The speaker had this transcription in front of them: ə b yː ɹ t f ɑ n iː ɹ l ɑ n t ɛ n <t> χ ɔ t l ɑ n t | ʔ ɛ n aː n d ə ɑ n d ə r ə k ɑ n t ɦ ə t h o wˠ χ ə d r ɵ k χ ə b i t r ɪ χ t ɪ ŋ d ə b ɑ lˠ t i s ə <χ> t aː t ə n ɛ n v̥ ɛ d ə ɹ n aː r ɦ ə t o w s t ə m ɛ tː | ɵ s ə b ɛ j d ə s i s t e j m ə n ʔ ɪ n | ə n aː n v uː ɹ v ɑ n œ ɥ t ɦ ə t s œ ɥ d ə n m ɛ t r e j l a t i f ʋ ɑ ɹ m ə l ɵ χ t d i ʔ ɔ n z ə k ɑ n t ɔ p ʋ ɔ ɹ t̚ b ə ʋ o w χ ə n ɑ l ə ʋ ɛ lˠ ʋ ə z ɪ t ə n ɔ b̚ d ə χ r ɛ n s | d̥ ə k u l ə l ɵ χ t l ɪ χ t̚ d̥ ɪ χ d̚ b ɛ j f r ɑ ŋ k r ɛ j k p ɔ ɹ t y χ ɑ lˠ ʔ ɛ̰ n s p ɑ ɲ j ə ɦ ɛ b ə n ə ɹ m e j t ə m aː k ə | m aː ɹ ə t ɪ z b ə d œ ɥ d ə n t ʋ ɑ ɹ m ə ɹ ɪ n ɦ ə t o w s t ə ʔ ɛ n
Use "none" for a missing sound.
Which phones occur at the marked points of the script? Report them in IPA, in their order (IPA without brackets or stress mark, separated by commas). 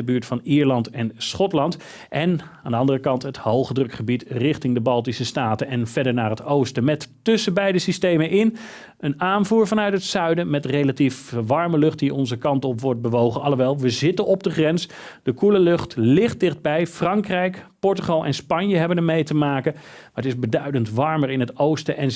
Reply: s, s